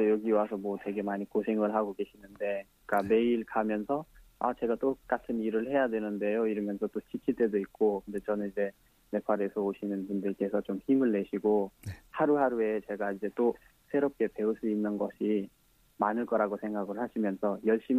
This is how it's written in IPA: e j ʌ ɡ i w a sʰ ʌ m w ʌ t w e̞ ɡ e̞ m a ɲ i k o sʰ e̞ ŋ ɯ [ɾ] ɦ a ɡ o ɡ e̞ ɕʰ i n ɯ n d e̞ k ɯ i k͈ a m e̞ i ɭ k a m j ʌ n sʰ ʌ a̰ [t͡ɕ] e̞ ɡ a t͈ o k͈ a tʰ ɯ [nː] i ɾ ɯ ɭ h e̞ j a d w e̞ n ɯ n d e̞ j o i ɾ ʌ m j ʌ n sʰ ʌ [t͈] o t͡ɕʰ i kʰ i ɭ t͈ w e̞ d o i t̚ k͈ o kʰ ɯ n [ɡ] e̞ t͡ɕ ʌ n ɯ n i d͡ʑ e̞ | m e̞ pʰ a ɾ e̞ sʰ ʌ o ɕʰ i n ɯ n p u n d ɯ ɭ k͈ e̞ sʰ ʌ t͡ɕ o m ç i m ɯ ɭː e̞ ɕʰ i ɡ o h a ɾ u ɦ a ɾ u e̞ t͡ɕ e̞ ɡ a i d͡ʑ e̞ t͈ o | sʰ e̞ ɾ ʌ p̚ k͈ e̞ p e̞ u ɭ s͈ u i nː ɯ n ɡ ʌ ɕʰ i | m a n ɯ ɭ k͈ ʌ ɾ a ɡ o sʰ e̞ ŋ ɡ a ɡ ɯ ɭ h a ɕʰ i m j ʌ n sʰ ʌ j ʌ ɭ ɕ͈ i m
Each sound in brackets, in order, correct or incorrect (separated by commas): incorrect, correct, incorrect, correct, incorrect